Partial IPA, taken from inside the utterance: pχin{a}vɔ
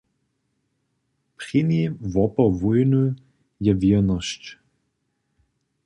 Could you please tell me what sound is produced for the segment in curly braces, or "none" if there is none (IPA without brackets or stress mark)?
i